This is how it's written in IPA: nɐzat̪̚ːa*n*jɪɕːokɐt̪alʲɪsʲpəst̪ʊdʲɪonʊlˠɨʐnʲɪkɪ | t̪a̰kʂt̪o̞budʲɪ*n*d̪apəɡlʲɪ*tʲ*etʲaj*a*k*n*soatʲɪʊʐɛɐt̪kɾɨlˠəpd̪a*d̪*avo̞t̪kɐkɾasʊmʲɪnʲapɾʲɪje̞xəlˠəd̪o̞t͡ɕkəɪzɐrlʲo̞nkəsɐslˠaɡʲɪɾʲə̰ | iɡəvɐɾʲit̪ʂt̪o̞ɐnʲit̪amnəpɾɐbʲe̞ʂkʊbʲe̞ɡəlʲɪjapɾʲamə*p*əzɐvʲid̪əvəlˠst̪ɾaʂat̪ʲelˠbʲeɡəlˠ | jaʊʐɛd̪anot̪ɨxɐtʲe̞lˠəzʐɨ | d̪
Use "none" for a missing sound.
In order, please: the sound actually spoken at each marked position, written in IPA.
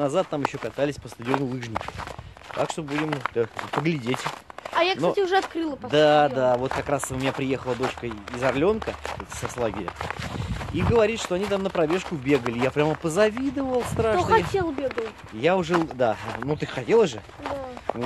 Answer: m, m, dʲ, a, n, d̪, p

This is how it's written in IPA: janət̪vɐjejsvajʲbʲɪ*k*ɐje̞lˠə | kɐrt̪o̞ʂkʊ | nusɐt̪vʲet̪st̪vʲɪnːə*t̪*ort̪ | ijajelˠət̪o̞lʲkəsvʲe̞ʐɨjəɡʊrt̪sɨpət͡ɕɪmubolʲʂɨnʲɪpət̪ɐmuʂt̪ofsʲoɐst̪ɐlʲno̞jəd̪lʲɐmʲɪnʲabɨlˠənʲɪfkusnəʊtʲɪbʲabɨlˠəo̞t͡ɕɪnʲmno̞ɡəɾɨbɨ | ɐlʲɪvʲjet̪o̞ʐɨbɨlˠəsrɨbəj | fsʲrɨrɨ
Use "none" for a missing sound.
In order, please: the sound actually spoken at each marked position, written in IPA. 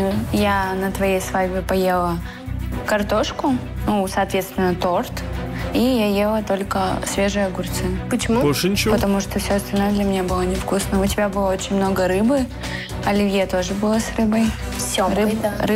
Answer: p, t̪

